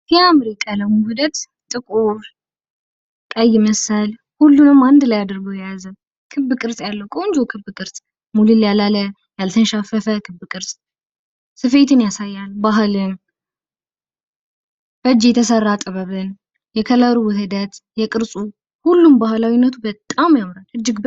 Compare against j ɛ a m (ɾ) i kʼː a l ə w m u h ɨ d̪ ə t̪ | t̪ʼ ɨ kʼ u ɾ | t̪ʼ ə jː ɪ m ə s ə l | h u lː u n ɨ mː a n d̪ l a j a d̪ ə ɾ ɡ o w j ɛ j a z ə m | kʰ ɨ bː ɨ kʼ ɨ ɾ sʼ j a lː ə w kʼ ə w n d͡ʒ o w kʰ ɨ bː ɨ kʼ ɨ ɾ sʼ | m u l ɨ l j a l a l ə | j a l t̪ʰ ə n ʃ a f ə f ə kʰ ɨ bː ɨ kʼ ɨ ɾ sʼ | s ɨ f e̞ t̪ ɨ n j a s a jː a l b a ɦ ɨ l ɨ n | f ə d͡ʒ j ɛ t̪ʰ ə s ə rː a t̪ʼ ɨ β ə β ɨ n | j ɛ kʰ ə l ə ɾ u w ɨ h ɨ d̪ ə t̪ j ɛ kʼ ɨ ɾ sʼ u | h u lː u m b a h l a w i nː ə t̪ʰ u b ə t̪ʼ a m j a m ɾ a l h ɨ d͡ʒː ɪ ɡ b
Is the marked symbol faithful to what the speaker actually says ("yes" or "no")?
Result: yes